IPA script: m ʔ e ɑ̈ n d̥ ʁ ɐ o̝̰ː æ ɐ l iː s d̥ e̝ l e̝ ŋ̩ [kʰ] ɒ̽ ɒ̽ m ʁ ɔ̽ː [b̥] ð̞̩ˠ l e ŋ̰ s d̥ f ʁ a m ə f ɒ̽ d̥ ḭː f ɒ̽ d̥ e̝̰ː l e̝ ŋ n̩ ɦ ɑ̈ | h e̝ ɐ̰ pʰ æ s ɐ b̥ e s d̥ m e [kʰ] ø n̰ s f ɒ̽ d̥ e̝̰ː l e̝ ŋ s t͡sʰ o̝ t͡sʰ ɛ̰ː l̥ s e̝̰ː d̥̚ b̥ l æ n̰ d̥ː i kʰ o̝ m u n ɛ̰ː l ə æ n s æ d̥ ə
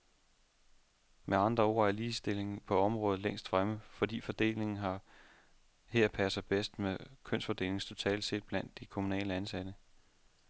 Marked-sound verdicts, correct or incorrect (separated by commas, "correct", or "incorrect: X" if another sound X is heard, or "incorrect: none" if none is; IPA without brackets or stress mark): incorrect: pʰ, incorrect: none, correct